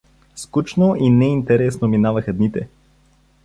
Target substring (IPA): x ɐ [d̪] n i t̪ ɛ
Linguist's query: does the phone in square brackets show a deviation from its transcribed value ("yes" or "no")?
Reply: no